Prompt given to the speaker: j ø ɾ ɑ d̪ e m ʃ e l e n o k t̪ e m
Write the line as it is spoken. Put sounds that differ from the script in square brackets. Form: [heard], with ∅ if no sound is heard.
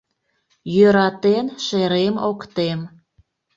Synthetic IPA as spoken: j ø ɾ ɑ [t̪] e [n] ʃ e [ɾ] e [m] o k t̪ e m